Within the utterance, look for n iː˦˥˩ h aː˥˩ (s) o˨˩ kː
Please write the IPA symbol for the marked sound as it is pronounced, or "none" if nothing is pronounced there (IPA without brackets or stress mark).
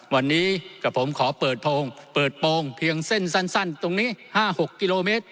h